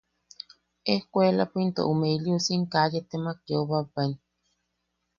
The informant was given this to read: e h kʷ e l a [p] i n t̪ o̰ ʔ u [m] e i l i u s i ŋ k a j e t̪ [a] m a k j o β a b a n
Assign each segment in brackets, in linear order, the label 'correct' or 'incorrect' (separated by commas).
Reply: correct, correct, incorrect